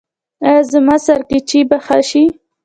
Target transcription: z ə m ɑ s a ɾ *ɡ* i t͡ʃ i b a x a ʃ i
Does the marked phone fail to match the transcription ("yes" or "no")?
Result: yes